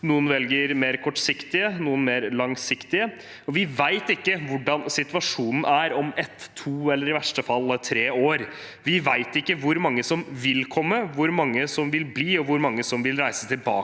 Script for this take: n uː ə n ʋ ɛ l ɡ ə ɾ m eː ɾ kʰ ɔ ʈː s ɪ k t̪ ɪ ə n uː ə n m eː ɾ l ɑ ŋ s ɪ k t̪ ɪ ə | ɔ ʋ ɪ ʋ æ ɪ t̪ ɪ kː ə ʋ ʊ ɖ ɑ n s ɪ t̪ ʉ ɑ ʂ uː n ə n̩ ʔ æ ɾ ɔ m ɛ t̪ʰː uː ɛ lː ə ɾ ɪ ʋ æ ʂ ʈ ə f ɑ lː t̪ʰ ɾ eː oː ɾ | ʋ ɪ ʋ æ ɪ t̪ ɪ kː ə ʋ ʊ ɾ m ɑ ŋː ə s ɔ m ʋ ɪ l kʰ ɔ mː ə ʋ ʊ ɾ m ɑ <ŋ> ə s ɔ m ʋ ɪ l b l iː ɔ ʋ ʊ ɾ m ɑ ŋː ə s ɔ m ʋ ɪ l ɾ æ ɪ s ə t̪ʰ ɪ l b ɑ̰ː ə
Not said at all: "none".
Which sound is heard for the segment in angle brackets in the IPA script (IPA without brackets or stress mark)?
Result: ŋː